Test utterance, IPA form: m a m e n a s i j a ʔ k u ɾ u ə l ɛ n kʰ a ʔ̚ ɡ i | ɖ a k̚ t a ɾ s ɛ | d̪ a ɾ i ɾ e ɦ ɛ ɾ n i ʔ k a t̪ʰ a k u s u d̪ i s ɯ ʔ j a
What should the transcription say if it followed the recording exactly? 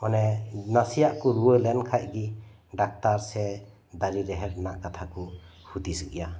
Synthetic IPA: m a n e n a s i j a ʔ k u ɾ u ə l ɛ n kʰ a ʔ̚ ɡ i | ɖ a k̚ t a ɾ s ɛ | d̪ a ɾ i ɾ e ɦ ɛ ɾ n a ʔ k a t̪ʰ a k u h u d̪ i s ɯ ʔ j a